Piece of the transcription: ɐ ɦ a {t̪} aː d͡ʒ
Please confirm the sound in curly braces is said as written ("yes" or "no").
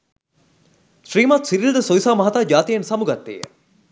yes